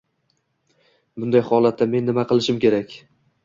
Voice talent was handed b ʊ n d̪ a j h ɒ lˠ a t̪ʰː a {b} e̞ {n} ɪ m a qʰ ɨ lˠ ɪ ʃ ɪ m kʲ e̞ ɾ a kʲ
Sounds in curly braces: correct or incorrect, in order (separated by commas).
incorrect, incorrect